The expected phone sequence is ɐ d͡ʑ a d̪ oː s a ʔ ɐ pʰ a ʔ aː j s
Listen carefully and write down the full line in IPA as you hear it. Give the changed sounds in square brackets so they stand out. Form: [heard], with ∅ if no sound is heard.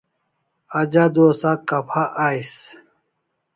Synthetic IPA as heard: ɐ d͡ʑ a d̪ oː s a [k] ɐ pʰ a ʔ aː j s